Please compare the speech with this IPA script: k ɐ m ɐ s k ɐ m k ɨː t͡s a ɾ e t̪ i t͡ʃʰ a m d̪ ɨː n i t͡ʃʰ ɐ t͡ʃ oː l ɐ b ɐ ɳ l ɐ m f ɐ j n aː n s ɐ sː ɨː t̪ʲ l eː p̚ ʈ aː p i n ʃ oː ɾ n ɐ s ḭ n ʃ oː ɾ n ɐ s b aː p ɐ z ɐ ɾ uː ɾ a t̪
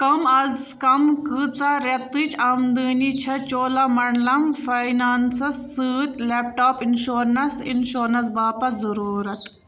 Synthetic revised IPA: k ɐ m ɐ z k ɐ m k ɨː t͡s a ɾ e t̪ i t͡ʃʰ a m d̪ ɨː n i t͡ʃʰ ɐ t͡ʃ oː l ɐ m ɐ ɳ l ɐ m f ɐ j n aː n s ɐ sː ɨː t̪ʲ l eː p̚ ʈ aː p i n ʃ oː ɾ n ɐ s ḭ n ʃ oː ɾ n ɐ s b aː p ɐ z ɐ ɾ uː ɾ ɐ t̪